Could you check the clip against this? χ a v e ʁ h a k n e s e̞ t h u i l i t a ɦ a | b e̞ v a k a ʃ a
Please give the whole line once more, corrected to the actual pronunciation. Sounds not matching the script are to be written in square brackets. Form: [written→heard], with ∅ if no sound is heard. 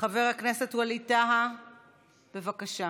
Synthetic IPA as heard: χ a v e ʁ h a k n e s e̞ t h u [i→a] l i t a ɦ a | b e̞ v a k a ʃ a